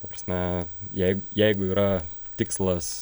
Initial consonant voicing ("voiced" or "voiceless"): voiceless